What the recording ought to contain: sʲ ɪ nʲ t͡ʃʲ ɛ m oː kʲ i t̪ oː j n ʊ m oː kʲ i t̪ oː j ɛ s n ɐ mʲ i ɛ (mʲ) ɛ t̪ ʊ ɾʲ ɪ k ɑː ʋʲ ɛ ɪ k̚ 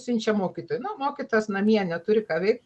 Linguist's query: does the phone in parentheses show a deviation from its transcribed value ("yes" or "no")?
yes